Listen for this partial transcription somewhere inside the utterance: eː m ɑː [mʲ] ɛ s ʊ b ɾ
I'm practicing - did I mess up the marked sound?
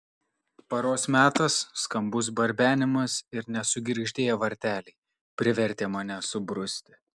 yes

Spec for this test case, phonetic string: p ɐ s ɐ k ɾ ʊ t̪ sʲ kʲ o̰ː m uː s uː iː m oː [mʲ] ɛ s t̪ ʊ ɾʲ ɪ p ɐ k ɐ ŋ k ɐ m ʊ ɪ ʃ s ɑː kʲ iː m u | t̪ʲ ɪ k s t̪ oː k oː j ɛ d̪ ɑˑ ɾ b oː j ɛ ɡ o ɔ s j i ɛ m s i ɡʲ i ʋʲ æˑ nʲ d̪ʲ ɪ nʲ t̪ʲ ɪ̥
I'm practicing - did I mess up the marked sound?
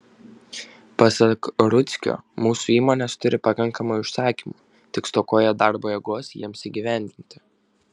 yes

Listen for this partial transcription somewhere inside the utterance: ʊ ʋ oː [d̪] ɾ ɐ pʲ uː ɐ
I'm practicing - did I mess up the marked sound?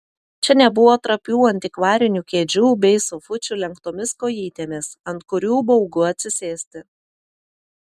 yes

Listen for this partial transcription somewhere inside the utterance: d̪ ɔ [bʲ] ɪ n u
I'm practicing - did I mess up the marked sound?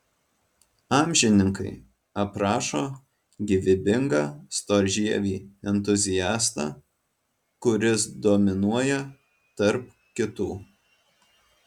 yes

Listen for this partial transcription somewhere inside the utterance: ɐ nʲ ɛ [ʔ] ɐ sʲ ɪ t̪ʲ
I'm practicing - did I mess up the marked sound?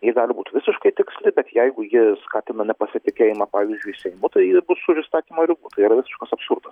yes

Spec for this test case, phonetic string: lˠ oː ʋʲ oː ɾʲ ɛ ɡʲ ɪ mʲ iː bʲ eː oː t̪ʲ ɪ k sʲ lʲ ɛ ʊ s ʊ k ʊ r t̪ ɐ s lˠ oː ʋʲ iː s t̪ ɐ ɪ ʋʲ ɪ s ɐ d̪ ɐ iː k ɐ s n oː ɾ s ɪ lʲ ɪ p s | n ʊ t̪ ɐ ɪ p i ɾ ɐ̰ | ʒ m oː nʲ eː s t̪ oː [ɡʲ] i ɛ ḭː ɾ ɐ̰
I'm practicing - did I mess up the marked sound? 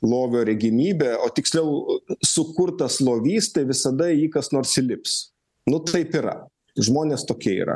yes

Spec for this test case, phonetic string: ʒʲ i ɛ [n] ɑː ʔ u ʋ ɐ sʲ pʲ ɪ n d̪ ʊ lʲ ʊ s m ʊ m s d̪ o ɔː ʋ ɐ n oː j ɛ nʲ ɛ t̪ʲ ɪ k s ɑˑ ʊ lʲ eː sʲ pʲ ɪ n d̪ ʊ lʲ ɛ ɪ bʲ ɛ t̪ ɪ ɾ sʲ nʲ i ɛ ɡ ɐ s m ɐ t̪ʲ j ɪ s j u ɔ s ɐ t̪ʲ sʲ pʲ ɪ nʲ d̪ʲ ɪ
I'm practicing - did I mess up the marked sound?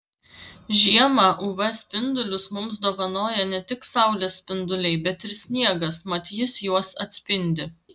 yes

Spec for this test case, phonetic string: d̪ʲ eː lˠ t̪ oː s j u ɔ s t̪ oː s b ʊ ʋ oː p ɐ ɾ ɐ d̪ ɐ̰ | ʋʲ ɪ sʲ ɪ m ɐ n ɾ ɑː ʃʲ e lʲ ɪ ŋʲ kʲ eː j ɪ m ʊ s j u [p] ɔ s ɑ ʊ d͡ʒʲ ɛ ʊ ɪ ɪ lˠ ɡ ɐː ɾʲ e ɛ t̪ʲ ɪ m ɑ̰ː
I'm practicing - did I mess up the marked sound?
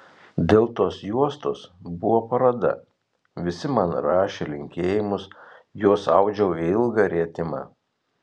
yes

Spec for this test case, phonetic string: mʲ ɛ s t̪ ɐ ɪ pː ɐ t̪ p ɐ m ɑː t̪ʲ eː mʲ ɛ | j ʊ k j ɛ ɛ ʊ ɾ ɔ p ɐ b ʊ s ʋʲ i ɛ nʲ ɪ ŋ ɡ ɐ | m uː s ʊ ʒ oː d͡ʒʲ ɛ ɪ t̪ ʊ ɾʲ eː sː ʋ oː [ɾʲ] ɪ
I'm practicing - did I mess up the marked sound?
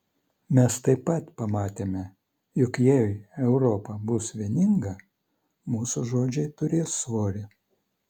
no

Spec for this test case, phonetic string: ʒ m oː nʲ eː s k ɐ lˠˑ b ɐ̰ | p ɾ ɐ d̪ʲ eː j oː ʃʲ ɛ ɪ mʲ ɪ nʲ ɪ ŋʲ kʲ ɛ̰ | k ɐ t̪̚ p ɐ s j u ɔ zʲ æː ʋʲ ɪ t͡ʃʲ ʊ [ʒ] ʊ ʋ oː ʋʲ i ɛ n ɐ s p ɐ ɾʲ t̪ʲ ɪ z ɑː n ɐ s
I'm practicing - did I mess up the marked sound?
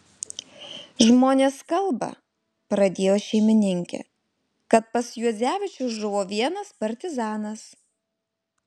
no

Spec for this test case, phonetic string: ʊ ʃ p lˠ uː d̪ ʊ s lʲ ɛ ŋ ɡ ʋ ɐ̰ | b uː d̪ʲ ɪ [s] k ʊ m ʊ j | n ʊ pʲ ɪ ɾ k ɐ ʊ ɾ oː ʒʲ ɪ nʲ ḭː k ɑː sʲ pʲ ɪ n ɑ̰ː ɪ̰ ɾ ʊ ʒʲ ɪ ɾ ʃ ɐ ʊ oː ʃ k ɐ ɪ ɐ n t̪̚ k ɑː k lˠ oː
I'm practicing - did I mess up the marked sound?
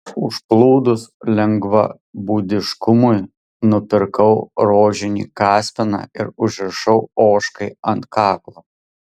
yes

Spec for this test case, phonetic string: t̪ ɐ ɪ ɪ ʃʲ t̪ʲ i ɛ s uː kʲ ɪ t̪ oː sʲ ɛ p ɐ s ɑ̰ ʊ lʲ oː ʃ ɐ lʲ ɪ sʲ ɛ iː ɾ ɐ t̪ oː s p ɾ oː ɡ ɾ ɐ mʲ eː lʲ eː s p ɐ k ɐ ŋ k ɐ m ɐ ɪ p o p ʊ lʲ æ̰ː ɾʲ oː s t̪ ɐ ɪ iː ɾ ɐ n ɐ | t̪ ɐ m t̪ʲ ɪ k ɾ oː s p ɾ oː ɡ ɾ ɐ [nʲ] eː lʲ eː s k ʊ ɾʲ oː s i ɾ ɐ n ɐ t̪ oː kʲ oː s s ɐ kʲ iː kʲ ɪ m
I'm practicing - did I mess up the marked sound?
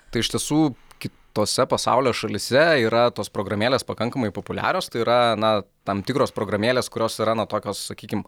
yes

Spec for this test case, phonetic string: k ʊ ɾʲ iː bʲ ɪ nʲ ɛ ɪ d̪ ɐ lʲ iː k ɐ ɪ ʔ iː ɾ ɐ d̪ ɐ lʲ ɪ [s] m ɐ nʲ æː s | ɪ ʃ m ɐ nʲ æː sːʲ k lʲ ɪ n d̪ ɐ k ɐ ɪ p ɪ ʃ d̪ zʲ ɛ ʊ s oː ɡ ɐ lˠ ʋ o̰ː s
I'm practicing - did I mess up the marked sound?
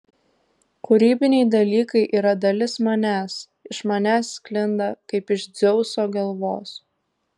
no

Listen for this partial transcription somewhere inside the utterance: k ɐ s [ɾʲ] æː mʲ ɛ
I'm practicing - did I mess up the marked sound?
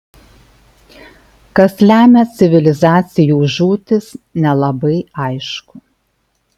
yes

